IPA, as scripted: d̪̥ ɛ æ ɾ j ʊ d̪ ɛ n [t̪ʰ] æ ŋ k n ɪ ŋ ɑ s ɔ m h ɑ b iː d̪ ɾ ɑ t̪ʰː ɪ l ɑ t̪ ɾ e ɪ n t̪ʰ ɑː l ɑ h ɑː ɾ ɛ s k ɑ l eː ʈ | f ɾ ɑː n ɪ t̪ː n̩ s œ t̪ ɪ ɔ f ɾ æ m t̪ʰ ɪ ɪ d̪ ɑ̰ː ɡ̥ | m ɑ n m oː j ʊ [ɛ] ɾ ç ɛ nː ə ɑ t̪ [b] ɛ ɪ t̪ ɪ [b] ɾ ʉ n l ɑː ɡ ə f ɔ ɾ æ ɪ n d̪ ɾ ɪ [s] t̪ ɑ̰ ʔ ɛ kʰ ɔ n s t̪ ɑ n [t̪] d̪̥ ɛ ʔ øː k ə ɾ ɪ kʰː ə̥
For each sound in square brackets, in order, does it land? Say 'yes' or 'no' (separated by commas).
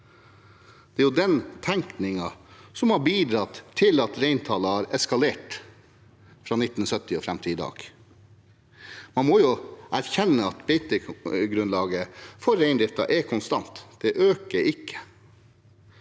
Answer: yes, no, yes, no, no, yes